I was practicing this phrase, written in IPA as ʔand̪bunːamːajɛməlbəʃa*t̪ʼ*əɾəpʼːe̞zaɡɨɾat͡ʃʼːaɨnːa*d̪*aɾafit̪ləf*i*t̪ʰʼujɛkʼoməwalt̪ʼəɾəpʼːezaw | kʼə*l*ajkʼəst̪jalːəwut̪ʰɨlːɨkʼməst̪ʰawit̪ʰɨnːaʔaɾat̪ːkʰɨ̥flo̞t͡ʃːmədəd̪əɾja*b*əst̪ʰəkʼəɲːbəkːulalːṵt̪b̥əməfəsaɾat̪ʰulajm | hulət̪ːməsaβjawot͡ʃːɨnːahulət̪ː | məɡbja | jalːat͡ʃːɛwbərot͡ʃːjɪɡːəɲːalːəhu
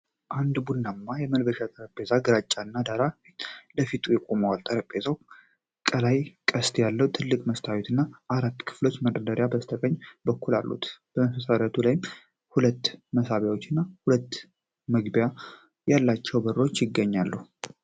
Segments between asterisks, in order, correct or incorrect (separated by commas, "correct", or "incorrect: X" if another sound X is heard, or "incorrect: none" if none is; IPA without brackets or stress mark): correct, correct, correct, correct, correct